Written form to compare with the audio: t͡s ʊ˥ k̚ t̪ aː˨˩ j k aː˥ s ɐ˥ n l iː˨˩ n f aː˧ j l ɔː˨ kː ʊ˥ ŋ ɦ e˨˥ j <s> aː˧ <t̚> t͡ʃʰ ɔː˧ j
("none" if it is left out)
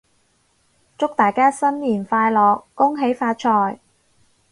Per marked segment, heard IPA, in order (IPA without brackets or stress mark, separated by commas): f, t̚